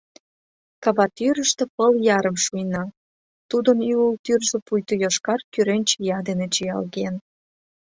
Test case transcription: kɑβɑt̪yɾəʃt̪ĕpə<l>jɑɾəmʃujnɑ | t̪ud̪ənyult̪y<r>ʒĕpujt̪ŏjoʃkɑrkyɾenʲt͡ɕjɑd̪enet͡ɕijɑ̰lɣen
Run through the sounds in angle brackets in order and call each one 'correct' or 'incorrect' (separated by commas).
correct, correct